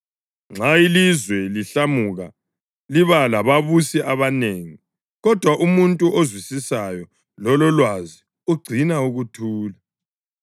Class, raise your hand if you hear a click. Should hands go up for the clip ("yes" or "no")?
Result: yes